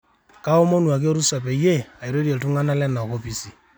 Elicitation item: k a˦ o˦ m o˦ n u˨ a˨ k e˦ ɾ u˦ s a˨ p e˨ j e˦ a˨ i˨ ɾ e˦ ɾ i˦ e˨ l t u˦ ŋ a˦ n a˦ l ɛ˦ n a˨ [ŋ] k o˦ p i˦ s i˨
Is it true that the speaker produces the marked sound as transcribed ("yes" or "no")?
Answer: no